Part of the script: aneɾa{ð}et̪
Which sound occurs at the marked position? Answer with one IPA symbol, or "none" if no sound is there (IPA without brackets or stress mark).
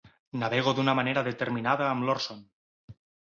ð